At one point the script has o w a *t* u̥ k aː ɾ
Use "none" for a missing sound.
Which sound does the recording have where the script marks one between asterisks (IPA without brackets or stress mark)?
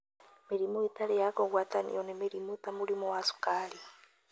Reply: s